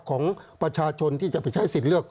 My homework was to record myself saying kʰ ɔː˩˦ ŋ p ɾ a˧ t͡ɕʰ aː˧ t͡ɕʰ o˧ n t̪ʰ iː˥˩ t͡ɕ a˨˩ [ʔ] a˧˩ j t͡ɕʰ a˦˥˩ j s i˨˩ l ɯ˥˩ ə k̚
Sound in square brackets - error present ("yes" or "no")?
yes